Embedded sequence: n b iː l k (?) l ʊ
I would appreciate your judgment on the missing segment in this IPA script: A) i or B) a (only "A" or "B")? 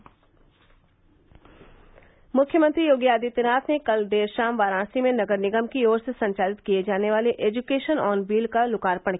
B